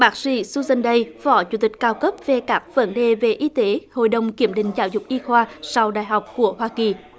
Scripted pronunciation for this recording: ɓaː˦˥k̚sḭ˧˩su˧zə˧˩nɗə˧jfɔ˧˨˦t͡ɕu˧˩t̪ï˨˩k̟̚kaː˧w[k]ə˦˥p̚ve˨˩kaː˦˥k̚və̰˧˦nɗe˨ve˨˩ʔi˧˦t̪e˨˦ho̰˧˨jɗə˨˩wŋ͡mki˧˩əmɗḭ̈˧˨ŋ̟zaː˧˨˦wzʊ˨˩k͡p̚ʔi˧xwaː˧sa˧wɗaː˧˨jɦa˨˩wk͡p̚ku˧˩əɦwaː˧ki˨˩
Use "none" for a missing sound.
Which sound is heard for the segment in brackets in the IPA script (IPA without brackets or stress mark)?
k